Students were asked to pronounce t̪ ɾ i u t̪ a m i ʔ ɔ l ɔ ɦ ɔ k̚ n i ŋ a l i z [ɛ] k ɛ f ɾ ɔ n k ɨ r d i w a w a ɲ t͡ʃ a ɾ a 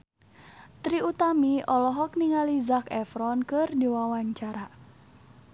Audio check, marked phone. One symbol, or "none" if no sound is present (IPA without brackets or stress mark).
a